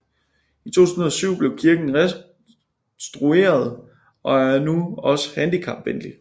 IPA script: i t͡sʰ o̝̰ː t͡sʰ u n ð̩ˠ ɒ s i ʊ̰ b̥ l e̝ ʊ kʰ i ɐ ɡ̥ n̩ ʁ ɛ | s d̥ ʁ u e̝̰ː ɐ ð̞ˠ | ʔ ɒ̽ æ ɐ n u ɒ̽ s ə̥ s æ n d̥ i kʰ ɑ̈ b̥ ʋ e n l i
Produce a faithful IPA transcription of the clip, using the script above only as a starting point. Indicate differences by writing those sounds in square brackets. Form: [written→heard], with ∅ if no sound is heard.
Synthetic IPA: i t͡sʰ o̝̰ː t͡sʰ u n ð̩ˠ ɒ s [i→y] ʊ̰ b̥ l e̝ ʊ kʰ i ɐ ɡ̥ n̩ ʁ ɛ | s d̥ ʁ u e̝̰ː ɐ ð̞ˠ | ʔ ɒ̽ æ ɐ n u ɒ̽ s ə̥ [s→h] æ n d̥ i kʰ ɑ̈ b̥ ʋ e n l i